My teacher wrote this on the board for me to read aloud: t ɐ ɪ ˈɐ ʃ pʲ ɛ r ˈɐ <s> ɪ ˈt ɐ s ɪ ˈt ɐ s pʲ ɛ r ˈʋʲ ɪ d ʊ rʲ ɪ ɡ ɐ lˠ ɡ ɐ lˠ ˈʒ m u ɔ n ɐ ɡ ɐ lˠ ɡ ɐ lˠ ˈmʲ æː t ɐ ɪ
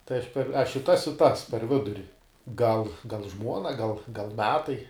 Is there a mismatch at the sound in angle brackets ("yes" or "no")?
yes